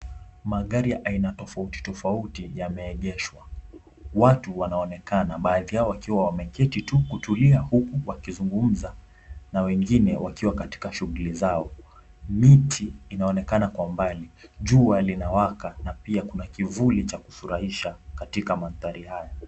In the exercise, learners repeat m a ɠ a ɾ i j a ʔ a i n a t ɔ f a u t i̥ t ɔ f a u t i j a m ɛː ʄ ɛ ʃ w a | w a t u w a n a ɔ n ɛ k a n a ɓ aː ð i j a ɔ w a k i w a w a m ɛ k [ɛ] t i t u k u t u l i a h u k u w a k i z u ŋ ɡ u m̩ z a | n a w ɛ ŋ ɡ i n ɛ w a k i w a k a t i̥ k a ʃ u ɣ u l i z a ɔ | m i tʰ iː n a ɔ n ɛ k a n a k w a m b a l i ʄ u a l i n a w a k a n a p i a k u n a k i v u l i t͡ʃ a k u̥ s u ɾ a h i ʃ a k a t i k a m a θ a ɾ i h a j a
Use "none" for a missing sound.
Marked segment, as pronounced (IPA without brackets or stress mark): ɛ